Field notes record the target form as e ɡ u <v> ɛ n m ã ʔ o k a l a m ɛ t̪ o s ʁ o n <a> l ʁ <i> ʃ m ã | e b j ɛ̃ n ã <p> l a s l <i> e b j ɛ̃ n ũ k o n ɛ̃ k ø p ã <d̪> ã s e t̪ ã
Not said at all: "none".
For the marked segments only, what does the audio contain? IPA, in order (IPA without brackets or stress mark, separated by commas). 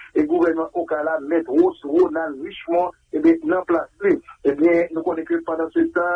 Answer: v, a, i, p, i, d̪